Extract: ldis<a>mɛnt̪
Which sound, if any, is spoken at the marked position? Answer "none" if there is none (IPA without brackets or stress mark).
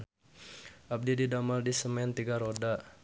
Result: ə